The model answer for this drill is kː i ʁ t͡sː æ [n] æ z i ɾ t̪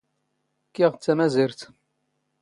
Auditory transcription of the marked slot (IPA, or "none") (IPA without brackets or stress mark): m